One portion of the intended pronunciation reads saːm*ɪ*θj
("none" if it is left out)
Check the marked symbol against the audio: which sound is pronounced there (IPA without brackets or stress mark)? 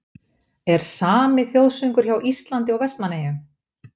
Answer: ɪ